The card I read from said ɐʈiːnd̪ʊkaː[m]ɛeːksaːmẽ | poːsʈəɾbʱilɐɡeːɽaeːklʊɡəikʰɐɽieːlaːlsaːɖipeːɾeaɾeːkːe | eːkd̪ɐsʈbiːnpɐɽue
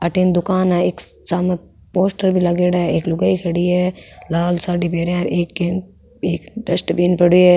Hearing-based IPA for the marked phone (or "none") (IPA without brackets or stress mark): n